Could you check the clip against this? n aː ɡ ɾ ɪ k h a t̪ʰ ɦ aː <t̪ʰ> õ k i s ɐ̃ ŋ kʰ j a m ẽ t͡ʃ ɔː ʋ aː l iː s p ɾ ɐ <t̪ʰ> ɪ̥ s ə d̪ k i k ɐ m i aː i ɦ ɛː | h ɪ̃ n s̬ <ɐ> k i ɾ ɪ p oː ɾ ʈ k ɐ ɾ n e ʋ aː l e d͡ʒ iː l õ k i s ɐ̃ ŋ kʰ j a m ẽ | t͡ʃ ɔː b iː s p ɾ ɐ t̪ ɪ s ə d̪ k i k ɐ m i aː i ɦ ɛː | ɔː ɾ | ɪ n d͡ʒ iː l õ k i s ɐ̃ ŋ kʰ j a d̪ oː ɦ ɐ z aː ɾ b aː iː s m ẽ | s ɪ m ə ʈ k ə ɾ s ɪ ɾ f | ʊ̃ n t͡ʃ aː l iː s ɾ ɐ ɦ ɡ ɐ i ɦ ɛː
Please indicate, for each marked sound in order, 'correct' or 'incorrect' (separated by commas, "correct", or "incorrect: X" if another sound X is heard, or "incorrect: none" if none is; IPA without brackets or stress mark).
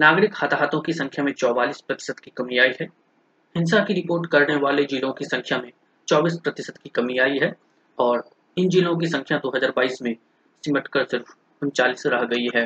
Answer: incorrect: t̪, incorrect: t̪, incorrect: a